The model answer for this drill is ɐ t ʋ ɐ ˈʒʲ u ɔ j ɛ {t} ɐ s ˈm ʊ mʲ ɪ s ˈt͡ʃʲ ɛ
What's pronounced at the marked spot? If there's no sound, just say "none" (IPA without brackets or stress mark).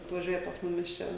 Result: p